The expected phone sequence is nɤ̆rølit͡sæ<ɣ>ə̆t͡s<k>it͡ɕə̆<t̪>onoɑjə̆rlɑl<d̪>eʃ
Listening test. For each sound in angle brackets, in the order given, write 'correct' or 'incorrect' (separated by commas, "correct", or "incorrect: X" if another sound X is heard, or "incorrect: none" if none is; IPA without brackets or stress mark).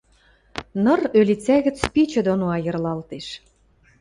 correct, incorrect: p, incorrect: d̪, incorrect: t̪